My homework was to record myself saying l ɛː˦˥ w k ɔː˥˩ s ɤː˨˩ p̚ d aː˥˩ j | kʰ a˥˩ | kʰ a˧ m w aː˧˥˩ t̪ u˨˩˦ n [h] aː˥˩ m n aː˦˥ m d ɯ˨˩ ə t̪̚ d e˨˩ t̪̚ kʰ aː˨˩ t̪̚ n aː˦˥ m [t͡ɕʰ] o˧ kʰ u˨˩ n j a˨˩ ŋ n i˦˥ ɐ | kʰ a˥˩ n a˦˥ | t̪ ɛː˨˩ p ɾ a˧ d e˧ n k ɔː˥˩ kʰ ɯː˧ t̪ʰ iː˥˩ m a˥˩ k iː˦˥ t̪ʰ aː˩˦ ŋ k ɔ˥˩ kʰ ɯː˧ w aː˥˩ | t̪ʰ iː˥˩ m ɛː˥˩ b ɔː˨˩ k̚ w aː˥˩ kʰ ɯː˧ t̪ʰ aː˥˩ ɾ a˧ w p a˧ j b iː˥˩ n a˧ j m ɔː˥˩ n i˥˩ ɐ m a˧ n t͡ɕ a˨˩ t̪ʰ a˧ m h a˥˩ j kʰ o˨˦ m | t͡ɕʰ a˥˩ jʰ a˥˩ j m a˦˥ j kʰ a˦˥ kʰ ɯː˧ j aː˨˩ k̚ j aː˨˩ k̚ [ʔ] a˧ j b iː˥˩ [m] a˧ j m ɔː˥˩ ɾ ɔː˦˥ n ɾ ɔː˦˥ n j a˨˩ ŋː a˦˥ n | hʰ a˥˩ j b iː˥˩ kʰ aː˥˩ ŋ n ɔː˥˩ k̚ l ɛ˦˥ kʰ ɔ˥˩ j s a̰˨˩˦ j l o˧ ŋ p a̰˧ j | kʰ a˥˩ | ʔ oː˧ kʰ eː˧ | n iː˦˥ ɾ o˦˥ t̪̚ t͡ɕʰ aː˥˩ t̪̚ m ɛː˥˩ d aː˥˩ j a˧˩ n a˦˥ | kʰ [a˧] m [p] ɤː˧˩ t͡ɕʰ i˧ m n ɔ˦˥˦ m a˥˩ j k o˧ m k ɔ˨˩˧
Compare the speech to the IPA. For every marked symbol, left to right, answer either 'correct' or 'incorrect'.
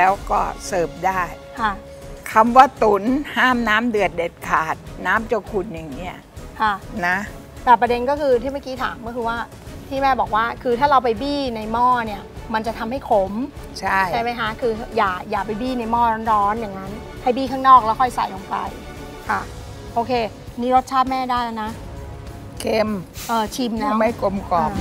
correct, incorrect, incorrect, incorrect, incorrect, incorrect

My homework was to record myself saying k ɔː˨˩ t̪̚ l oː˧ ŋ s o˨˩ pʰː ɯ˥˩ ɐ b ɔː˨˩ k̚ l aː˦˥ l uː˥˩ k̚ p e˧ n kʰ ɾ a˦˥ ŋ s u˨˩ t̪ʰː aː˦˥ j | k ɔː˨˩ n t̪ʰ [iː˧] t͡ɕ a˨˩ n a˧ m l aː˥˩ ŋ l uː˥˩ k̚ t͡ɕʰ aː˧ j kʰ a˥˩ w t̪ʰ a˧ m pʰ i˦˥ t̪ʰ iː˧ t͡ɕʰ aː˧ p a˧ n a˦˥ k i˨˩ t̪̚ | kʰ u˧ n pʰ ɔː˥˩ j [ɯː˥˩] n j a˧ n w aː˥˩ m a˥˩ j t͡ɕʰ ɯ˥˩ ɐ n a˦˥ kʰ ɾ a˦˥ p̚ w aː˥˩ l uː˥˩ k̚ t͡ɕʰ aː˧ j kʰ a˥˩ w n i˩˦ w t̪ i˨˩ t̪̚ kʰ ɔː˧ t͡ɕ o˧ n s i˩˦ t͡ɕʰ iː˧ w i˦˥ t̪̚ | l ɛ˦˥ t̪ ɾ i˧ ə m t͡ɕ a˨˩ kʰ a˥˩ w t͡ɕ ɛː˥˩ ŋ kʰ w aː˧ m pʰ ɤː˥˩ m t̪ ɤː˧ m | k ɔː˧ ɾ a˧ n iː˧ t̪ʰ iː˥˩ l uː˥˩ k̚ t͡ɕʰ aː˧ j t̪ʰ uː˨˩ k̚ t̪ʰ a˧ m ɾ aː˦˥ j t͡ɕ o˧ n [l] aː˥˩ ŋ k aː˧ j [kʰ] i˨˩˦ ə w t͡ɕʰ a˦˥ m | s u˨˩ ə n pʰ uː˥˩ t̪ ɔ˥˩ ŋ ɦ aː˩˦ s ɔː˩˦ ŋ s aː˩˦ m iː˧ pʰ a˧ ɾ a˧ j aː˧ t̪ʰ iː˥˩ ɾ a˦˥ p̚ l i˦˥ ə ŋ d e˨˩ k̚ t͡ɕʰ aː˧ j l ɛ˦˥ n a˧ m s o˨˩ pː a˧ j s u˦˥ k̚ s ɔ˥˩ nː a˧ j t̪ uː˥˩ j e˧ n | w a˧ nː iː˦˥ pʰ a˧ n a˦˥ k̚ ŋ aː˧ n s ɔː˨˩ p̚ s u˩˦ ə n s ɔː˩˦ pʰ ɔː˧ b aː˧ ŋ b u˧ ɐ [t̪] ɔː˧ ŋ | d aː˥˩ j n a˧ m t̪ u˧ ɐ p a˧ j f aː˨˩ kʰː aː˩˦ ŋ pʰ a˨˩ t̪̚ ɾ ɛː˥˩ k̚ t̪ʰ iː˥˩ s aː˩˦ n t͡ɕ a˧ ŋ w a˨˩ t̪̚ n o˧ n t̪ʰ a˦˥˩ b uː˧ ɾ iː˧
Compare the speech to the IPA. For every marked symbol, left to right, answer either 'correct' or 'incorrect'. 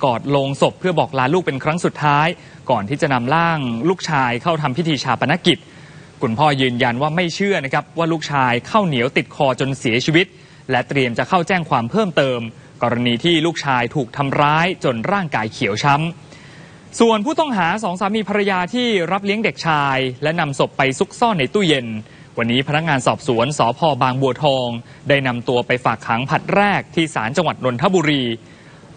incorrect, incorrect, incorrect, correct, incorrect

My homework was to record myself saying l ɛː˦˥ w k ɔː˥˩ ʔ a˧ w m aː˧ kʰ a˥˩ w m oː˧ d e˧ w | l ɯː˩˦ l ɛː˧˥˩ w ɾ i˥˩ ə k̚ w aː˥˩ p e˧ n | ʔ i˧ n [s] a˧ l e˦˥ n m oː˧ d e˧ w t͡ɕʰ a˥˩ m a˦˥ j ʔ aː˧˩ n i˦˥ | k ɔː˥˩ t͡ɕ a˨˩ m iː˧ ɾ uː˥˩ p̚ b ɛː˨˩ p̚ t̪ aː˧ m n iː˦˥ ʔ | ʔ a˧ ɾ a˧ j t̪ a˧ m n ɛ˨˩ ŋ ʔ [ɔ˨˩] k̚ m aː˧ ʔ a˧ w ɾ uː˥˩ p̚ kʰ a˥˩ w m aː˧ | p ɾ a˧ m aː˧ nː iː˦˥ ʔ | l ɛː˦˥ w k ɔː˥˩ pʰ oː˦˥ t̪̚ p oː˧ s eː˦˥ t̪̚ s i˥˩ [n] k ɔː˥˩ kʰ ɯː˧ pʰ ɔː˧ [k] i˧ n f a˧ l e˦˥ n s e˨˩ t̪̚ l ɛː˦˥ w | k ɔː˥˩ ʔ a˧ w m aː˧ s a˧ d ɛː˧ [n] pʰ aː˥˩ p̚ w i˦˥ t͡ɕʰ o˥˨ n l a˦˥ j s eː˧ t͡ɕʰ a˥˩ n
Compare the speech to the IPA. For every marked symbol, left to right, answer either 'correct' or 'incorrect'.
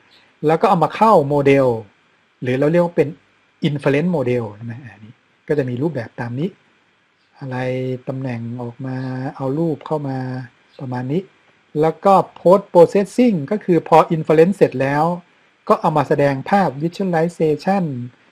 incorrect, incorrect, incorrect, incorrect, incorrect

